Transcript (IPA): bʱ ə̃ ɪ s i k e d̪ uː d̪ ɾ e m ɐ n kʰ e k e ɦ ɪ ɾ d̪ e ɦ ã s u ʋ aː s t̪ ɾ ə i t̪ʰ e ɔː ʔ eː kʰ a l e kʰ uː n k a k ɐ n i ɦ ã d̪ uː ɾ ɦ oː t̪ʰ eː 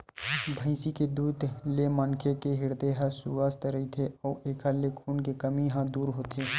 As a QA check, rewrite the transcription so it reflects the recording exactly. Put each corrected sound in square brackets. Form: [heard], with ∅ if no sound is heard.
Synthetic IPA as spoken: bʱ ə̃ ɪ s i k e d̪ uː d̪ [l] e m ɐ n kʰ e k e ɦ ɪ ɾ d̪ e ɦ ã s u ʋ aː s t̪ ɾ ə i t̪ʰ e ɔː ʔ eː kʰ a l e kʰ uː n k [e] k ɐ [m] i ɦ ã d̪ uː ɾ ɦ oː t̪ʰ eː

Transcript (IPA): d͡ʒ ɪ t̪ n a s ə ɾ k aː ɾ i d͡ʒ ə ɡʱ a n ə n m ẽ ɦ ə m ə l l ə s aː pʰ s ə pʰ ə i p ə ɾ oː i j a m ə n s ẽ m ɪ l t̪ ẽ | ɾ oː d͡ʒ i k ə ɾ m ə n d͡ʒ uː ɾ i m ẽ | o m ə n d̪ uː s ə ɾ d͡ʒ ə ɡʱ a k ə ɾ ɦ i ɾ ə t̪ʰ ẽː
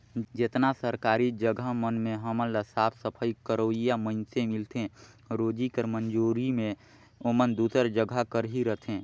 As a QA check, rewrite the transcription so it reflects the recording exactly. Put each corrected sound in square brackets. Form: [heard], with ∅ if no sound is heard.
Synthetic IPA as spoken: d͡ʒ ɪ t̪ n a s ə ɾ k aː ɾ i d͡ʒ ə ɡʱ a [m] ə n m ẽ ɦ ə m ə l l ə s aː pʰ s ə pʰ ə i [k] ə ɾ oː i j a m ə n s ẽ m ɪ l t̪ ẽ | ɾ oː d͡ʒ i k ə ɾ m ə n d͡ʒ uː ɾ i m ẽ | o m ə n d̪ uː s ə ɾ d͡ʒ ə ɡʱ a k ə ɾ ɦ i ɾ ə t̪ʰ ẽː

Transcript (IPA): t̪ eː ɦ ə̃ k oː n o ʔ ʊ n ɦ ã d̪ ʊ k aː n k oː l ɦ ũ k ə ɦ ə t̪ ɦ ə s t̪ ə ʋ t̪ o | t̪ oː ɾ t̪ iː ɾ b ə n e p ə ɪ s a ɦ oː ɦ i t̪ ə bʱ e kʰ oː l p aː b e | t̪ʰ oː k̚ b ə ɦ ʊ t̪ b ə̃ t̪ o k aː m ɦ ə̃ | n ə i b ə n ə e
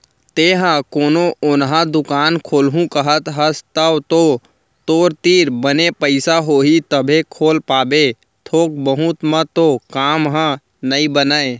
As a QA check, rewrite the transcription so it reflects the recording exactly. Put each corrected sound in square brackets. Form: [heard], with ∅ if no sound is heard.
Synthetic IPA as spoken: t̪ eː ɦ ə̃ k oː n o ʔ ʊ n ɦ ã d̪ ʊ k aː n [kʰ] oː l ɦ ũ k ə ɦ ə t̪ ɦ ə s t̪ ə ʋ t̪ o | t̪ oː ɾ t̪ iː ɾ b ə n e p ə ɪ s a ɦ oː ɦ i t̪ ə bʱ e kʰ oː l p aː b e | t̪ʰ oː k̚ b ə ɦ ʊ t̪ [m] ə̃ t̪ o k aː m ɦ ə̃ | n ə i b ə n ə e

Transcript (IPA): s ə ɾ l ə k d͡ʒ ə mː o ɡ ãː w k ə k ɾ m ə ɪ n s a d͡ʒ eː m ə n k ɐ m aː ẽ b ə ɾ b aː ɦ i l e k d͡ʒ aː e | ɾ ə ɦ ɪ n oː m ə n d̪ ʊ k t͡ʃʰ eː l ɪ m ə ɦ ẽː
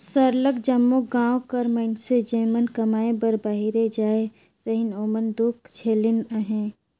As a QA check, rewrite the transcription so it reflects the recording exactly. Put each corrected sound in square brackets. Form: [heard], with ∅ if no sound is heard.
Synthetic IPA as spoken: s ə ɾ l ə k d͡ʒ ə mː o ɡ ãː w k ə [∅] ɾ m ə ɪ n s [e] d͡ʒ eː m ə n k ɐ m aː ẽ b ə ɾ b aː ɦ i [ɾ] e [∅] d͡ʒ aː e | ɾ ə ɦ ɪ n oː m ə n d̪ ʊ k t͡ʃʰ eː l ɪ [n] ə ɦ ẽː

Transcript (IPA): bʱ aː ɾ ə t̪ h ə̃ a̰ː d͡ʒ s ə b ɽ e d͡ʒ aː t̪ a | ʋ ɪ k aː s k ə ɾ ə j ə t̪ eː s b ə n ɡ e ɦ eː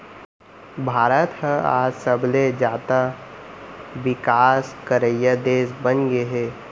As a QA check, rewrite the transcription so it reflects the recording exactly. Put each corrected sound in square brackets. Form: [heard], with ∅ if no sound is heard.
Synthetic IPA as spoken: bʱ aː ɾ ə t̪ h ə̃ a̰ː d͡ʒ s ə b [l] e d͡ʒ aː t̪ a | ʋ ɪ k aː s k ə ɾ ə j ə [d̪] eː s b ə n ɡ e ɦ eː

